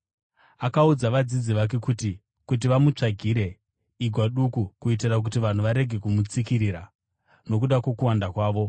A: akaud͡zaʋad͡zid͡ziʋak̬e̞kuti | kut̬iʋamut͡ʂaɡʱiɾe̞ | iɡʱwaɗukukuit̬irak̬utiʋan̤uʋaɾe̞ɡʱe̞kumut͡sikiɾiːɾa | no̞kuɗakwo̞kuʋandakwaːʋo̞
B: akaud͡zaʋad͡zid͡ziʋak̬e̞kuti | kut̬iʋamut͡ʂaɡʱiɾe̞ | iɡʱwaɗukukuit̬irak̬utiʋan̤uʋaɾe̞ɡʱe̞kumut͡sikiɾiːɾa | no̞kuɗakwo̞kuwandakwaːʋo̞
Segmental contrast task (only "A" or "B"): B